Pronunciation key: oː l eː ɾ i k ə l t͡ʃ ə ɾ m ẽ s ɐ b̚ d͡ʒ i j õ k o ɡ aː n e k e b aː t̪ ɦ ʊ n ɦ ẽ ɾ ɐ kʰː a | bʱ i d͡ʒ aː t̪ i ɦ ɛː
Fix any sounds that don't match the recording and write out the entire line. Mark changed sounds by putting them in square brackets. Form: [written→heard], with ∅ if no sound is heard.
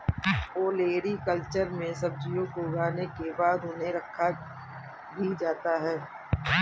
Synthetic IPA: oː l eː ɾ i k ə l t͡ʃ ə ɾ m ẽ s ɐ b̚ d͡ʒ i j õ k o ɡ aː n e k e b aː [t̪→d̪] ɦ ʊ n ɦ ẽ ɾ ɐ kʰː a | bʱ i d͡ʒ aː t̪ [i→a] ɦ ɛː

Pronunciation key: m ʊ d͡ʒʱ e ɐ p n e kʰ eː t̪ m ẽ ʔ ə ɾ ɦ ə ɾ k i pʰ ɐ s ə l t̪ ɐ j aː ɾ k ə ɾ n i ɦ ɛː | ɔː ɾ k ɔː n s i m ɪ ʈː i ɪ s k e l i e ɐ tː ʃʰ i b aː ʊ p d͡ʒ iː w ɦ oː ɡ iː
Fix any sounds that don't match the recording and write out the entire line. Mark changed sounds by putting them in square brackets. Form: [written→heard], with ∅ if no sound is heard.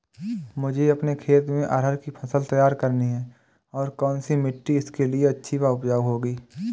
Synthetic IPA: m ʊ d͡ʒʱ e ɐ p n e kʰ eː t̪ m ẽ ʔ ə ɾ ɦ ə ɾ k i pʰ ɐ s ə l t̪ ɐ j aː ɾ k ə ɾ n i ɦ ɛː | ɔː ɾ k ɔː n s i m ɪ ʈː i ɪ s k e l i e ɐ tː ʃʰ i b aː ʊ p d͡ʒ [iː→aː] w ɦ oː ɡ iː

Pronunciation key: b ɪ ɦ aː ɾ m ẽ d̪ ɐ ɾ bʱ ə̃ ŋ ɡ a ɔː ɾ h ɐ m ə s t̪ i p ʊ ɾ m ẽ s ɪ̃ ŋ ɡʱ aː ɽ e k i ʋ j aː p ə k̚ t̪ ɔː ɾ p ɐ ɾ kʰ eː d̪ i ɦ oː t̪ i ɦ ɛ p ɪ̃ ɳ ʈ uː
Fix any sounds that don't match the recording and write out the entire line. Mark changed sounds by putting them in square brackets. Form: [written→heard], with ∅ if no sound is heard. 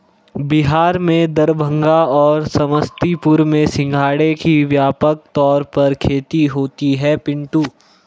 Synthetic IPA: b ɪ ɦ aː ɾ m ẽ d̪ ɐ ɾ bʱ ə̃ ŋ ɡ a ɔː ɾ [h→s] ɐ m ə s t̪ i p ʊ ɾ m ẽ s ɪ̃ ŋ ɡʱ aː ɽ e k i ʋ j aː p ə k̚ t̪ ɔː ɾ p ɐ ɾ kʰ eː [d̪→t̪] i ɦ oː t̪ i ɦ ɛ p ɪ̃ ɳ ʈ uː

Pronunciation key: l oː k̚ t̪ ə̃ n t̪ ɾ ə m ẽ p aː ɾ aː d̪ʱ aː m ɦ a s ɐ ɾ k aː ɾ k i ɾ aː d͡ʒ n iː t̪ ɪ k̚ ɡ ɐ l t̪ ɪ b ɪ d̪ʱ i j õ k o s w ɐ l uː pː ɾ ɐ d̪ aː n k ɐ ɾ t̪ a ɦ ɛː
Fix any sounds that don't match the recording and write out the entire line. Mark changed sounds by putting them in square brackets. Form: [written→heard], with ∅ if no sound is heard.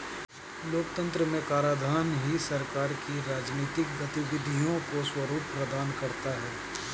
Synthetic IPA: l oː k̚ t̪ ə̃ n t̪ ɾ ə m ẽ [p→k] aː ɾ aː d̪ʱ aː [m→n] ɦ [a→i] s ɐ ɾ k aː ɾ k i ɾ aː d͡ʒ n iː t̪ ɪ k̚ ɡ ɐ [l→∅] t̪ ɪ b ɪ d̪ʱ i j õ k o s w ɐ [l→ɾ] uː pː ɾ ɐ d̪ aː n k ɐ ɾ t̪ a ɦ ɛː

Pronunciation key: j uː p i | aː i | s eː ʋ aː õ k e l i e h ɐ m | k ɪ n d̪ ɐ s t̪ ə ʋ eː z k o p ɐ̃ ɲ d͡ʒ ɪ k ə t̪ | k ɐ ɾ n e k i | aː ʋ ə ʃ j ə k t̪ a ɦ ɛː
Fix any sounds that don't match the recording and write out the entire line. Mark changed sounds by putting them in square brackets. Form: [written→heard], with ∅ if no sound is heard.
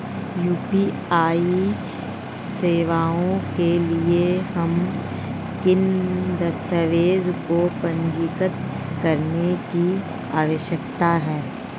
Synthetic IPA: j uː p i | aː i | s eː ʋ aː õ k e l i e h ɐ m | k ɪ n d̪ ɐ s t̪ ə ʋ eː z k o p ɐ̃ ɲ d͡ʒ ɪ k ə t̪ | k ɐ ɾ n e k i | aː ʋ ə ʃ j ə k t̪ a ɦ ɛː

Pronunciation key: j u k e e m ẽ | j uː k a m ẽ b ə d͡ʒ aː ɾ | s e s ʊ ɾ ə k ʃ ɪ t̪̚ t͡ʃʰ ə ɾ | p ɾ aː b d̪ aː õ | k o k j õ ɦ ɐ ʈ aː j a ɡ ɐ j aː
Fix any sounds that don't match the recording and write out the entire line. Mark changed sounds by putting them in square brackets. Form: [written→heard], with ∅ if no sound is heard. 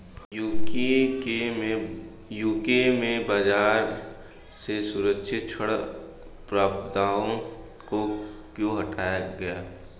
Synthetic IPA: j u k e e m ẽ | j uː k [a→e] m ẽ b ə d͡ʒ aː ɾ | s e s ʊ ɾ ə k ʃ ɪ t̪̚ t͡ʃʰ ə [ɾ→ɽ] | p ɾ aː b d̪ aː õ | k o k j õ ɦ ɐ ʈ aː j a ɡ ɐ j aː

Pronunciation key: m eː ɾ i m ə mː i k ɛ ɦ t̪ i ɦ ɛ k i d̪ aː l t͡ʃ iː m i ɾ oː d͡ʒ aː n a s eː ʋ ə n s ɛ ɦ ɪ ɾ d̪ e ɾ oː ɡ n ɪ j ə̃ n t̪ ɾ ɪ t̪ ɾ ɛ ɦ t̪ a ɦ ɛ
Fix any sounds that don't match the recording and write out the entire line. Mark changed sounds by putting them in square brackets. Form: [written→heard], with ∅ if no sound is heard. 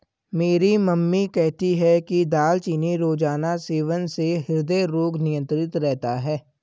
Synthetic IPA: m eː ɾ i m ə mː i k ɛ ɦ t̪ i ɦ ɛ k i d̪ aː l t͡ʃ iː [m→n] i ɾ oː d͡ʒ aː n a s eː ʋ ə n s [ɛ→e] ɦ ɪ ɾ d̪ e ɾ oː ɡ n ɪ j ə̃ n t̪ ɾ ɪ t̪ ɾ ɛ ɦ t̪ a ɦ [ɛ→ɛː]

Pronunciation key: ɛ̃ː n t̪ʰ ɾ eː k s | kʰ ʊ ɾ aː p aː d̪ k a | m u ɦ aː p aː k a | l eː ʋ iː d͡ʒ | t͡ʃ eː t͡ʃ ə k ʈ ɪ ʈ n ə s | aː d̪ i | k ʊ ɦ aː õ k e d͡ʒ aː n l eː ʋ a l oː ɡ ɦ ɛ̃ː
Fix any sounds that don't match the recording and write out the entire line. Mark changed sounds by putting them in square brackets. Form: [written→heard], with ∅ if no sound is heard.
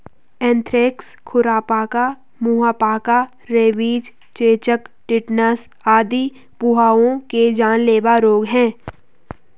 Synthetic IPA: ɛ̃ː n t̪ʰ ɾ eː k s | kʰ ʊ ɾ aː p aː [d̪→∅] k a | m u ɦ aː p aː k a | [l→ɾ] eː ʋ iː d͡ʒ | t͡ʃ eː t͡ʃ ə k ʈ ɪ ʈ n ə s | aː d̪ i | [k→p] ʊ ɦ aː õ k e d͡ʒ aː n l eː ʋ a [l→ɾ] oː ɡ ɦ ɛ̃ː

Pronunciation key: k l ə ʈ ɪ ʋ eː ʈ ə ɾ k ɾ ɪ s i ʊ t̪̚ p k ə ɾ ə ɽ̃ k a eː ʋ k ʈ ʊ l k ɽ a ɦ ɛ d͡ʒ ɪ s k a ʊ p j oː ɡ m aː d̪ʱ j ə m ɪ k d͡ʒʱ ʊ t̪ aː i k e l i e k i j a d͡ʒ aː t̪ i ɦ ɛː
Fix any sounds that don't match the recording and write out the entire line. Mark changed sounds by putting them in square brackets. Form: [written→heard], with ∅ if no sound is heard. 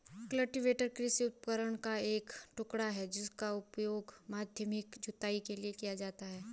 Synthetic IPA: k l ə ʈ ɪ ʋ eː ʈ ə ɾ k ɾ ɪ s i ʊ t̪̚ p k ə ɾ ə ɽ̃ k a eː [ʋ→∅] k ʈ ʊ [l→∅] k ɽ a ɦ ɛ d͡ʒ ɪ s k a ʊ p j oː ɡ m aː d̪ʱ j ə m ɪ k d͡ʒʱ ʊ t̪ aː i k e l i e k i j a d͡ʒ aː t̪ [i→a] ɦ ɛː

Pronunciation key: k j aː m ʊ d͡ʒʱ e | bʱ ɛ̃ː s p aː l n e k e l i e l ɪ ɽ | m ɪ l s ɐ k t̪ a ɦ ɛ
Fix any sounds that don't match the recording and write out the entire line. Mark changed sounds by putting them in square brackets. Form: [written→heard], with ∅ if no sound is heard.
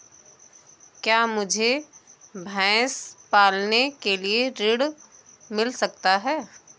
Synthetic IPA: k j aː m ʊ d͡ʒʱ e | bʱ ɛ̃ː s p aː l n e k e l i e [l→ɾ] ɪ ɽ | m ɪ l s ɐ k t̪ a ɦ [ɛ→ɛː]

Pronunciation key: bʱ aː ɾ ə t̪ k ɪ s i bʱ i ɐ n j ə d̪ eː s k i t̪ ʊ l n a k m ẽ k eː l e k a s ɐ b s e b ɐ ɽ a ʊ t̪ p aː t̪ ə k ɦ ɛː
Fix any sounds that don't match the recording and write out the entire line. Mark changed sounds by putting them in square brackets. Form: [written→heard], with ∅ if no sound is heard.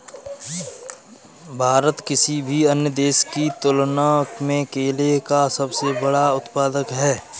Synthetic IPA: bʱ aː ɾ ə t̪ k ɪ s i bʱ i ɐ n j ə d̪ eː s k i t̪ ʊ l n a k m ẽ k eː l e k a s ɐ b s e b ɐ ɽ a ʊ t̪ p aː [t̪→d̪] ə k ɦ ɛː

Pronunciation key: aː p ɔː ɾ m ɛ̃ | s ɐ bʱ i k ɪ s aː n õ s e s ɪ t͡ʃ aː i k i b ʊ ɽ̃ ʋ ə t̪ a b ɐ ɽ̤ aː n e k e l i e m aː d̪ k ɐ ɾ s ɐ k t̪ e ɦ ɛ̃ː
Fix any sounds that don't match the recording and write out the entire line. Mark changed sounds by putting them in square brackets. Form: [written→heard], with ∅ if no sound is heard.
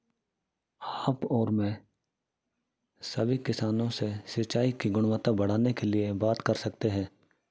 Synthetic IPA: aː p ɔː ɾ m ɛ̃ | s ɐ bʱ i k ɪ s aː n õ s e s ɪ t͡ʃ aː i k i [b→ɡ] ʊ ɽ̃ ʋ ə t̪ a b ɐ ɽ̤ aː n e k e l i e [m→b] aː [d̪→t̪] k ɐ ɾ s ɐ k t̪ e ɦ ɛ̃ː

